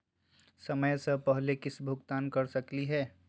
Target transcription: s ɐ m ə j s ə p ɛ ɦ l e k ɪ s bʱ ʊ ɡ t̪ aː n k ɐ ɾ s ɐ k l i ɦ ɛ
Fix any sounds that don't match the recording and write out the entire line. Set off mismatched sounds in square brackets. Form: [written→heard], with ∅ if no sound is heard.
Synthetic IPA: s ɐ m ə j s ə p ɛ ɦ l e k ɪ s bʱ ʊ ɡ t̪ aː n k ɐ ɾ s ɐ k l i ɦ [ɛ→ɛː]